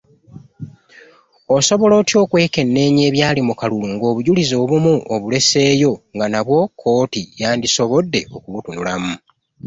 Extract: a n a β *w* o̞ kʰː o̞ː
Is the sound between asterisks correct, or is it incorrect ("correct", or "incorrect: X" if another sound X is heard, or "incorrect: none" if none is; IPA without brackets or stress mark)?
correct